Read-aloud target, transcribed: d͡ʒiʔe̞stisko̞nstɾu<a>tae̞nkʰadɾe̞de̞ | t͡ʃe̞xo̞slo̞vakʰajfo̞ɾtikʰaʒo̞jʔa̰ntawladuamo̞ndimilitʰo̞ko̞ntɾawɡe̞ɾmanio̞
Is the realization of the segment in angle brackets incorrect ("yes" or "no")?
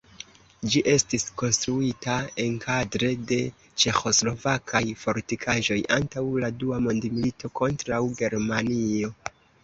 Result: yes